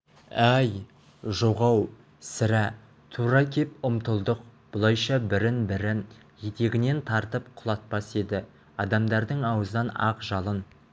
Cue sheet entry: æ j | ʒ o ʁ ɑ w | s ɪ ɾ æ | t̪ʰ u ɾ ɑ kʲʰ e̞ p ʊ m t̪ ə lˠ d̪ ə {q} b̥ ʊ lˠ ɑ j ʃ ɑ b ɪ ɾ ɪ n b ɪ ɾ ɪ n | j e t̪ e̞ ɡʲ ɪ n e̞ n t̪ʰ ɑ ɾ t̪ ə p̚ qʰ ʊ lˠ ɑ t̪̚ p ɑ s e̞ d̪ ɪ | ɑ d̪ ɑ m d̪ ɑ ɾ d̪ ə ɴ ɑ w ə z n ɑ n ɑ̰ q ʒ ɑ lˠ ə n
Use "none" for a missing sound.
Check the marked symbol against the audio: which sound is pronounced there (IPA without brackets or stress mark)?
q